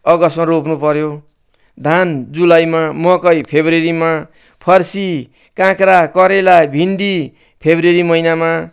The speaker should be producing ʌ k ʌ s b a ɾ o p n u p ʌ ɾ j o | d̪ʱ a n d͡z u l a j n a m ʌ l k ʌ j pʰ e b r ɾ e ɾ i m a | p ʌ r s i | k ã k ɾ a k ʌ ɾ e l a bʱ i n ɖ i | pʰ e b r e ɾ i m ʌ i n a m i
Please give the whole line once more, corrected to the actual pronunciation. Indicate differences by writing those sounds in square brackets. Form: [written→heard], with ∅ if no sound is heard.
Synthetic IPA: ʌ [k→ɡ] ʌ s [b→m] a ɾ o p n u p ʌ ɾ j o | d̪ʱ a n d͡z u l a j [n→m] a m ʌ [l→∅] k ʌ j pʰ e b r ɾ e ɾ i m a | [p→pʰ] ʌ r s i | k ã k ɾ a k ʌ ɾ e l a bʱ i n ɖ i | pʰ e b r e ɾ i m ʌ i n a m [i→a]